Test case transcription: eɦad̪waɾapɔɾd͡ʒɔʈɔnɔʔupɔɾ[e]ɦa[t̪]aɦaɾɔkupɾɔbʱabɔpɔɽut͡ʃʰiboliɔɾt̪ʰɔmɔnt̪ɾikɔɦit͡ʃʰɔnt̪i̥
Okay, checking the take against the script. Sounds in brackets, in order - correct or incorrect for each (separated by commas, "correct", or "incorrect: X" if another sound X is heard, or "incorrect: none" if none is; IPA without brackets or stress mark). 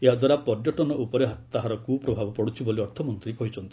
correct, correct